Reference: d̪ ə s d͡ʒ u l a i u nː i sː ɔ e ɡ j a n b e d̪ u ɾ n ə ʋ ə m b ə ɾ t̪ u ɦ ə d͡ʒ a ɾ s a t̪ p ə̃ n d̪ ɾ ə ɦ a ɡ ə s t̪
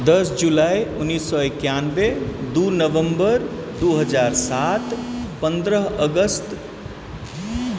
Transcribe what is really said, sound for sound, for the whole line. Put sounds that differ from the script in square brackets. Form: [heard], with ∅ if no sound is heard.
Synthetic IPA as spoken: d̪ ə s d͡ʒ u l a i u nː i sː ɔ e [k] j a n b e d̪ u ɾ n ə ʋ ə m b ə ɾ [d̪] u ɦ ə d͡ʒ a ɾ s a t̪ p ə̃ n d̪ ɾ ə ɦ [ə] ɡ ə s t̪